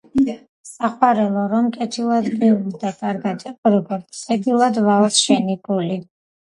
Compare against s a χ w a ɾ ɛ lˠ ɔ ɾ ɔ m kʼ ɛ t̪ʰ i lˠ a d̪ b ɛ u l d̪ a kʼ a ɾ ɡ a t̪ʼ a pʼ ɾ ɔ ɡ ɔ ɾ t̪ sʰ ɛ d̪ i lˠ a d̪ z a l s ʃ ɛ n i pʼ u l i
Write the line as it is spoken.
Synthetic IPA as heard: s a χ w a ɾ ɛ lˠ ɔ ɾ ɔ m kʼ ɛ t̪ʰ i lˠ a d̪ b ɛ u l d̪ a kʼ a ɾ ɡ a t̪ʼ ɛ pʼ ɾ ɔ ɡ ɔ ɾ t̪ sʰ ɛ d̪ i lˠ a d̪ v a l s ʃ ɛ n i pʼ u l i